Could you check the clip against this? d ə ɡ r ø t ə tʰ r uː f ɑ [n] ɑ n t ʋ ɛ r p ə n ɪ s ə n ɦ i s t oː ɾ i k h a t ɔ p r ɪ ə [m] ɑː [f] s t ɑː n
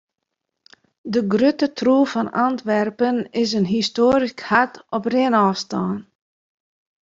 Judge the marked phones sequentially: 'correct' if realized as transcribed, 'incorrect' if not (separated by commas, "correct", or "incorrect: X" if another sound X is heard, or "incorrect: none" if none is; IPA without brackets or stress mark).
correct, incorrect: n, correct